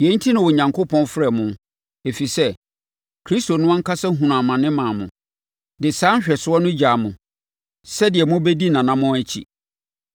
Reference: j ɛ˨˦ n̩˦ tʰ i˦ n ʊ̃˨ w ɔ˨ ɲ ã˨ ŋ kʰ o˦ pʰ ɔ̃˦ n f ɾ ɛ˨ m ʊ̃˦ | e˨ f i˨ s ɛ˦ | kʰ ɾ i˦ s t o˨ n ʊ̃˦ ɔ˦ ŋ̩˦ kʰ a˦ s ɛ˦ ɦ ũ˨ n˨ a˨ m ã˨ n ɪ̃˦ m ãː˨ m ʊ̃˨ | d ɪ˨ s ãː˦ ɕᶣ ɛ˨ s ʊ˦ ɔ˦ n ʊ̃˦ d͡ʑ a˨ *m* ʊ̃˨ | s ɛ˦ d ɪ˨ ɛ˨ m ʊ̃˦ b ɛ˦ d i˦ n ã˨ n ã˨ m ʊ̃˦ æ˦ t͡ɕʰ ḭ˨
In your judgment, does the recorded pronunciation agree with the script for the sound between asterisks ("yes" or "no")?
yes